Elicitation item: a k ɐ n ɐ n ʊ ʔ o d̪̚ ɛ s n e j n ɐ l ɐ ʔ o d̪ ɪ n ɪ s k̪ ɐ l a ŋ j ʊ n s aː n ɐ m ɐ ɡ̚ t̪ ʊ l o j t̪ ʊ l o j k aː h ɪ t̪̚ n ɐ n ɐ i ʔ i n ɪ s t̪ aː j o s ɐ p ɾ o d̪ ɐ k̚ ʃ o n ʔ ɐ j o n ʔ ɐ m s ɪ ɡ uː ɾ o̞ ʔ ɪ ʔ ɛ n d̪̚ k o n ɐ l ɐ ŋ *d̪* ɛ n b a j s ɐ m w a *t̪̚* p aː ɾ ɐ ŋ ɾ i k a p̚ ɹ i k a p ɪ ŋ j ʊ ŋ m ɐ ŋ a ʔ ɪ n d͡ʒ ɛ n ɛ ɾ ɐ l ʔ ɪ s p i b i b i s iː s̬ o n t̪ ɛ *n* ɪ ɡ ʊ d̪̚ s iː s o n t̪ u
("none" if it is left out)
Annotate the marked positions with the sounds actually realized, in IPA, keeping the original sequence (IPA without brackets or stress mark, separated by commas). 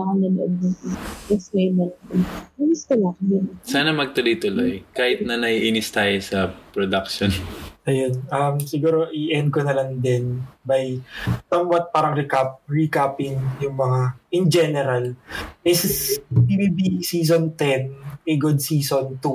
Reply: d̪, t̪̚, n